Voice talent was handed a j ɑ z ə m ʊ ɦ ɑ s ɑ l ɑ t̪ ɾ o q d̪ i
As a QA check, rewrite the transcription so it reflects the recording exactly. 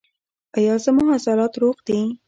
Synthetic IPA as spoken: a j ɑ z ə m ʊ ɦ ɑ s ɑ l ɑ t̪ ɾ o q d̪ i

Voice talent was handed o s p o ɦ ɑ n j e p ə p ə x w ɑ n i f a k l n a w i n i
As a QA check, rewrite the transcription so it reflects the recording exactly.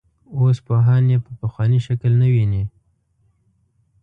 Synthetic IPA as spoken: o s p o ɦ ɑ n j e p ə p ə x w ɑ n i ʃ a k l n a w i n i

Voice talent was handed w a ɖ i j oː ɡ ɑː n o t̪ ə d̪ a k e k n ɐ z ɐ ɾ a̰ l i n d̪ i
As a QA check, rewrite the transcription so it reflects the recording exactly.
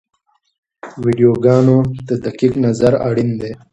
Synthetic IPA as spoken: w i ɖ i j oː ɡ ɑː n o t̪ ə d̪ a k i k n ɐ z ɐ ɾ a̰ ɽ i n d̪ e

